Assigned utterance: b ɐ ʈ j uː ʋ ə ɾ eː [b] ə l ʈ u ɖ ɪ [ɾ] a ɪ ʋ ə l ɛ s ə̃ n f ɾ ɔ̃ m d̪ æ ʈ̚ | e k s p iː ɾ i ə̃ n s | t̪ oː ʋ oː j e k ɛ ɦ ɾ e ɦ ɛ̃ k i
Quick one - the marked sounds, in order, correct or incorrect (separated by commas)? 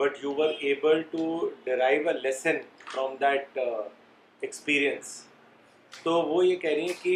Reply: correct, correct